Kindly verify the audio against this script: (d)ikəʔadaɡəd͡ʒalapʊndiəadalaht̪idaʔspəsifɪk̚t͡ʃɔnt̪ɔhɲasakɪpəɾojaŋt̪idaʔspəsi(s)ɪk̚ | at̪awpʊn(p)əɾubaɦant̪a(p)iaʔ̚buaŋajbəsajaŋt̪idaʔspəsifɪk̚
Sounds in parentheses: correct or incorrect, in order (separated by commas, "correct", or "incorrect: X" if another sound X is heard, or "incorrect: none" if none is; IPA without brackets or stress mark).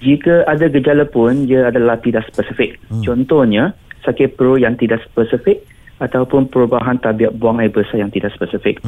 incorrect: d͡ʒ, incorrect: f, correct, incorrect: b